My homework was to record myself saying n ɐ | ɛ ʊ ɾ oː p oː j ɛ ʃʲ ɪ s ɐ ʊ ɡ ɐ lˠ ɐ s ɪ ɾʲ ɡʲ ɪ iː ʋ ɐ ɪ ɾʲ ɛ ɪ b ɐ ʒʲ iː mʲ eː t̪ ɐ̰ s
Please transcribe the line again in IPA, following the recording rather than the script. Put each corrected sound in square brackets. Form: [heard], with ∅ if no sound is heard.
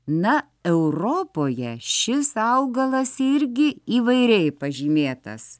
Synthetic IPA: n ɐ | ɛ ʊ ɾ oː p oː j ɛ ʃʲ ɪ s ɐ ʊ ɡ ɐ lˠ ɐ s ɪ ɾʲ ɡʲ ɪ iː ʋ ɐ ɪ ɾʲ ɛ ɪ [p] ɐ ʒʲ iː mʲ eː t̪ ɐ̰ s

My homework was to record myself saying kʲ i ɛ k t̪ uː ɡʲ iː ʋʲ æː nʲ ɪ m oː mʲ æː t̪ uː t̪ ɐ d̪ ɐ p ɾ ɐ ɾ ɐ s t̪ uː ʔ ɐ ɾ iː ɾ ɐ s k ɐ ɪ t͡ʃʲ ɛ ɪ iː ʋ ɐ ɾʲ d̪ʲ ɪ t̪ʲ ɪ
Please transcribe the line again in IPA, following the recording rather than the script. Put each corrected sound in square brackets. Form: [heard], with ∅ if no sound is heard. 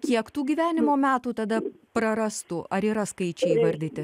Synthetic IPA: kʲ i ɛ k t̪ uː ɡʲ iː ʋʲ æː nʲ ɪ m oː mʲ æː t̪ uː t̪ ɐ d̪ ɐ p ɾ ɐ ɾ ɐ s t̪ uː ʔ ɐ ɾ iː ɾ ɐ s k ɐ ɪ t͡ʃʲ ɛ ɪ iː ʋ ɐ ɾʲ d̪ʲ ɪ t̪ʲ ɪ

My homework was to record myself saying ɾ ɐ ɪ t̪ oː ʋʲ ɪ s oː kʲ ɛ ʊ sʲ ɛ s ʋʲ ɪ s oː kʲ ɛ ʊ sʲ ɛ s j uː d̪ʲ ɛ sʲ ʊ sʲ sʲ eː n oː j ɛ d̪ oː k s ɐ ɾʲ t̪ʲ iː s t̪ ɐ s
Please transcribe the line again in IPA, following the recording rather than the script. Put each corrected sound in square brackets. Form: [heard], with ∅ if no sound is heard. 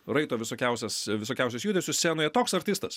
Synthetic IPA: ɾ ɐ ɪ t̪ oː ʋʲ ɪ s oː kʲ ɛ ʊ sʲ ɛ s ʋʲ ɪ s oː kʲ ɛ ʊ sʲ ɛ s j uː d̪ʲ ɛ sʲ ʊ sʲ sʲ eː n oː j ɛ [t̪] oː k s ɐ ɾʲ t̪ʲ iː s t̪ ɐ s

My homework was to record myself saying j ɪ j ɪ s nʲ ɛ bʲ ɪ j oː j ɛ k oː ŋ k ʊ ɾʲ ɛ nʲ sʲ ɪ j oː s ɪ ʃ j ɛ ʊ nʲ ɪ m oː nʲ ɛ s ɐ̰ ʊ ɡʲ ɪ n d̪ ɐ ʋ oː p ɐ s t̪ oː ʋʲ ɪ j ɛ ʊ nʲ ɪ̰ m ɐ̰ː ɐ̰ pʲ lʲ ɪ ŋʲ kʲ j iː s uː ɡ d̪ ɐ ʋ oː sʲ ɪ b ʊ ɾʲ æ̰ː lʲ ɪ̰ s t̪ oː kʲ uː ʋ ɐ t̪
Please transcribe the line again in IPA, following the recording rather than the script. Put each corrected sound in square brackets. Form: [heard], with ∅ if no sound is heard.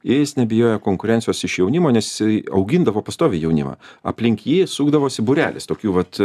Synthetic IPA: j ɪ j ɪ s nʲ ɛ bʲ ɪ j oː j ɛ k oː ŋ k ʊ ɾʲ ɛ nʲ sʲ ɪ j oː s ɪ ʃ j ɛ ʊ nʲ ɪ m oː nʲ ɛ s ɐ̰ ʊ ɡʲ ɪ n d̪ ɐ ʋ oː p ɐ s t̪ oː ʋʲ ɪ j ɛ ʊ nʲ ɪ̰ m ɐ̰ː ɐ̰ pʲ lʲ ɪ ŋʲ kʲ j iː s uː ɡ d̪ ɐ ʋ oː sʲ ɪ b ʊ ɾʲ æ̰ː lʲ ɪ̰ s t̪ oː kʲ uː ʋ ɐ t̪

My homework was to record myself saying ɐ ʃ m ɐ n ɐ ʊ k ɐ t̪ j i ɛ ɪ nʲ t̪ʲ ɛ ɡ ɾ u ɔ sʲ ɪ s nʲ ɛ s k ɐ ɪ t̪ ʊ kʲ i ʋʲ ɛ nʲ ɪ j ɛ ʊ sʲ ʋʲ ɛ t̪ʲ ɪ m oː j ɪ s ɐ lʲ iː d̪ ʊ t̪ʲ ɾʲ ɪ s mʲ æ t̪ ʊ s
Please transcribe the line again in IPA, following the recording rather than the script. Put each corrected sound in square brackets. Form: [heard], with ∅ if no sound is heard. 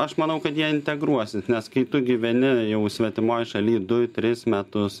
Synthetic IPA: ɐ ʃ m ɐ n ɐ ʊ k ɐ t̪ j i ɛ ɪ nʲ t̪ʲ ɛ ɡ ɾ u ɔ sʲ ɪ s nʲ ɛ s k ɐ ɪ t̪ ʊ [ɡʲ] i ʋʲ ɛ nʲ ɪ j ɛ ʊ sʲ ʋʲ ɛ t̪ʲ ɪ m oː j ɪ [ʃ] ɐ lʲ iː d̪ ʊ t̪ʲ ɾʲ ɪ s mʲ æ t̪ ʊ s

